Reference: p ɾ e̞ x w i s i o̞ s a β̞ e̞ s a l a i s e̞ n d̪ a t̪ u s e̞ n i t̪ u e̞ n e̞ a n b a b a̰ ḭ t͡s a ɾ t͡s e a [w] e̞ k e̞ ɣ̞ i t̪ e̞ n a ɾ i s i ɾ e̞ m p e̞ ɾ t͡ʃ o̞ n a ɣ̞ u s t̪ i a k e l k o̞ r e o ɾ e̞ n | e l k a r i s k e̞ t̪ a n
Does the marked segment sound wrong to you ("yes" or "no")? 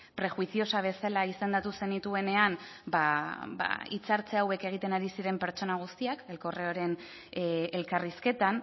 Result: no